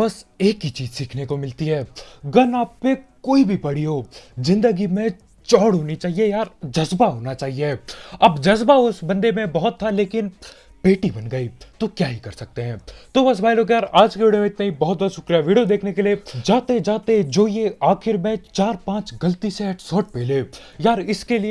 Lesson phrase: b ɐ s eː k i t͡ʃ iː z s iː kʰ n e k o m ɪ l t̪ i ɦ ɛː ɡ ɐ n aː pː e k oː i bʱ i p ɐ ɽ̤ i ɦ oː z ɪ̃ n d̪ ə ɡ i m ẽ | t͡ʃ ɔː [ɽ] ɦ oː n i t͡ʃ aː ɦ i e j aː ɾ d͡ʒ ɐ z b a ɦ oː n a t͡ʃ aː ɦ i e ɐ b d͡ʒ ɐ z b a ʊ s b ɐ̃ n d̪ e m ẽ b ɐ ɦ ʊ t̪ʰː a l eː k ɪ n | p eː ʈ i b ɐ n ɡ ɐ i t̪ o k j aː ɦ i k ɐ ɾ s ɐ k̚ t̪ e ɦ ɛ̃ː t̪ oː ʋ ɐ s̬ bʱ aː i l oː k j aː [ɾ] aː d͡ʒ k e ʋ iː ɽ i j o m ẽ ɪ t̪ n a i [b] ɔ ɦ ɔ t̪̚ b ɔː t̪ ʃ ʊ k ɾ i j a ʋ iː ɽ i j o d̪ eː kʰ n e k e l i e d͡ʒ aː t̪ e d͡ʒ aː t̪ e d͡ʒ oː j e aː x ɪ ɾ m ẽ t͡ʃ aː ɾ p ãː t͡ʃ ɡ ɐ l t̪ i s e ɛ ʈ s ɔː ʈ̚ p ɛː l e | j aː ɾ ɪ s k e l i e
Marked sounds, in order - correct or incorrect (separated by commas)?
correct, correct, correct